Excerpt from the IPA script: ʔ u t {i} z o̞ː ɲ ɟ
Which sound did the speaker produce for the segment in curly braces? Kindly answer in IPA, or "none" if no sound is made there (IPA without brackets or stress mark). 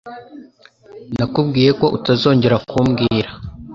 a